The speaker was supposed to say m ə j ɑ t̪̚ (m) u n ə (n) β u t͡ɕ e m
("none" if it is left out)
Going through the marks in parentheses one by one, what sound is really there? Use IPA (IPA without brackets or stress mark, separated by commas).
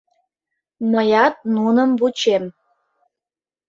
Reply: n, m